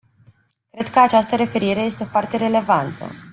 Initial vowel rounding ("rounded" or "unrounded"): unrounded